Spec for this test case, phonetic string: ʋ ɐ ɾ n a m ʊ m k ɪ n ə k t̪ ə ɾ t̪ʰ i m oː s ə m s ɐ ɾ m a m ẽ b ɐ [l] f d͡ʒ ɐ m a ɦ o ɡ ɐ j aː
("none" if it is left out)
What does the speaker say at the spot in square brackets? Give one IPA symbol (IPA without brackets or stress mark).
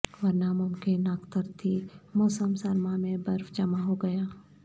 ɾ